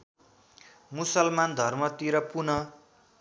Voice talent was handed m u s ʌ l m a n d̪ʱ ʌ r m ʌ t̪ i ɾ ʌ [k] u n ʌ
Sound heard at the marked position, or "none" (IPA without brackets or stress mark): p